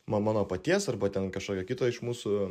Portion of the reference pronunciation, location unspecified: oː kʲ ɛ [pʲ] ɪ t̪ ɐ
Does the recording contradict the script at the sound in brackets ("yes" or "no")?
yes